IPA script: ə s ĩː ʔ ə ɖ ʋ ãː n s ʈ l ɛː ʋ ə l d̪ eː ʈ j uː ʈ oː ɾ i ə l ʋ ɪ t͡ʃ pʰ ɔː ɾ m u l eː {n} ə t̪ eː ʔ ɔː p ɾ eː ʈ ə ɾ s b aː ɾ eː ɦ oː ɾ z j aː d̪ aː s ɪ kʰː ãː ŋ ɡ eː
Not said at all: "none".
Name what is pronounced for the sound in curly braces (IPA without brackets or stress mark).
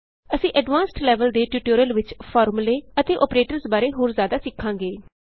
none